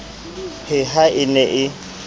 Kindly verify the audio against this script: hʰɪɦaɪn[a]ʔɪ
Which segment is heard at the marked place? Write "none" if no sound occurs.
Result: ɛ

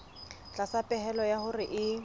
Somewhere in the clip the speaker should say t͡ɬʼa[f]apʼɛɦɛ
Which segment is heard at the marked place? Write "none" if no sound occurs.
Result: s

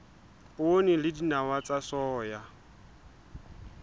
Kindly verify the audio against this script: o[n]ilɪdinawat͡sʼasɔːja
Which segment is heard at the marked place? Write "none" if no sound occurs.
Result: n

